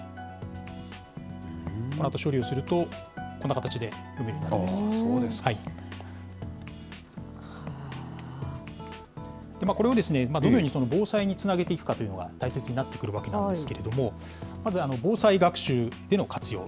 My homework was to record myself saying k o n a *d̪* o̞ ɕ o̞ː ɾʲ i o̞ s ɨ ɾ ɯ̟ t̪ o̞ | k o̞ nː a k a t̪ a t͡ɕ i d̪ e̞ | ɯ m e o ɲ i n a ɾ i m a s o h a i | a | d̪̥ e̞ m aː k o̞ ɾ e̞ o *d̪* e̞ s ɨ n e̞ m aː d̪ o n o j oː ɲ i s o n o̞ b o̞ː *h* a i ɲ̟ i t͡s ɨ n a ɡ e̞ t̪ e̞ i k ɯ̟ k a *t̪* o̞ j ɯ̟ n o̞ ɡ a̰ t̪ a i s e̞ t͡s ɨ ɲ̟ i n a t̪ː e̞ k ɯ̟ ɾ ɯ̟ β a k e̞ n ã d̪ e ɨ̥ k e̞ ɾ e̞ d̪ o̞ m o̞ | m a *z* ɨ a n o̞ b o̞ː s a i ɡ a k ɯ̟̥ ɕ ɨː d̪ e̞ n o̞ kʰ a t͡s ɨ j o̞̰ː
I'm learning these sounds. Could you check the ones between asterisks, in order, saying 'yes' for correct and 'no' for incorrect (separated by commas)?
no, yes, no, yes, yes